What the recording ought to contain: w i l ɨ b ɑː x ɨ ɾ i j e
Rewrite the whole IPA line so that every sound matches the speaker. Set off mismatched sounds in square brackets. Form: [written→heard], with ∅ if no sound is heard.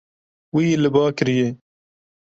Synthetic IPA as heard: w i l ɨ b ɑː [x→k] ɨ ɾ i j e